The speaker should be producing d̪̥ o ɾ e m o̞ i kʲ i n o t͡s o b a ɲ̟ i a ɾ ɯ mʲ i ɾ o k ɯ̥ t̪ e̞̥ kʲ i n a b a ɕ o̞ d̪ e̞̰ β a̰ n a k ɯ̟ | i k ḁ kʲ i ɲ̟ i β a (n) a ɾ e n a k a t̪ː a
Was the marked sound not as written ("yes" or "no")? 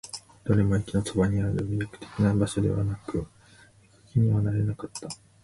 no